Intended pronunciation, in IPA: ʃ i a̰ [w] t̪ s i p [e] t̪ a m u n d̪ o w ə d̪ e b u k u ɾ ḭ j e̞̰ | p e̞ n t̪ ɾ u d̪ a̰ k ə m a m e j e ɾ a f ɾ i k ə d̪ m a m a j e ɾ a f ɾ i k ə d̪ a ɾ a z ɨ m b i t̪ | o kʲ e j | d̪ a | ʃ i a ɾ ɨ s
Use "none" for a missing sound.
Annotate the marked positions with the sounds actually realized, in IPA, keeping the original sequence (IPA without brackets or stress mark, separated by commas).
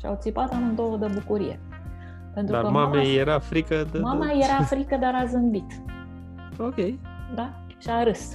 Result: w, a